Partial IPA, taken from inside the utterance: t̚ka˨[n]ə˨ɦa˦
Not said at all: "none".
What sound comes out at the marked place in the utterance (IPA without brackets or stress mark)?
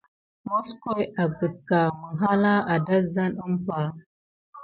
m